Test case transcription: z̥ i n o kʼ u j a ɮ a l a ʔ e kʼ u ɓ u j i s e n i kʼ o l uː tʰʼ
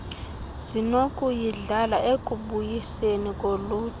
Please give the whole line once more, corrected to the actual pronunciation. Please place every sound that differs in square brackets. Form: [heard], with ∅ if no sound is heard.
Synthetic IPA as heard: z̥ i n o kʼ u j [i] ɮ a l a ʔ e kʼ u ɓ u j i s e n i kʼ o l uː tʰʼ